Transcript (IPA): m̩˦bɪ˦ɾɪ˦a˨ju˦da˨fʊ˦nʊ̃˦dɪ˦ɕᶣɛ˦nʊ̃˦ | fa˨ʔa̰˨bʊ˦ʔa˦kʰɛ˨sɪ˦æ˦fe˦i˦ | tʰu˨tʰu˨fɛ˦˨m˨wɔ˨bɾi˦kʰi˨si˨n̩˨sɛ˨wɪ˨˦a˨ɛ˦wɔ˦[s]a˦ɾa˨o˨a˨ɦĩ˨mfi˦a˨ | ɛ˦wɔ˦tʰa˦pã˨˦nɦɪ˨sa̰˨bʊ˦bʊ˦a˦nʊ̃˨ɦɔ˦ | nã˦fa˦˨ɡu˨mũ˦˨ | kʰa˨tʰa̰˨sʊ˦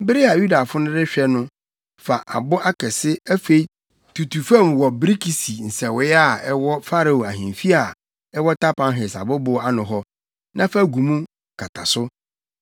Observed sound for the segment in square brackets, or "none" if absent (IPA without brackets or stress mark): f